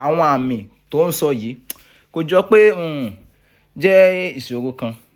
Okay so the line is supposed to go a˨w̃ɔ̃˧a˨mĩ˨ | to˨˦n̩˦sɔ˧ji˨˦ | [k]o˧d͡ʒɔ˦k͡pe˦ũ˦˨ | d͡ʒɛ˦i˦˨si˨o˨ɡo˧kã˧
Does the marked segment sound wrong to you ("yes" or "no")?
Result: no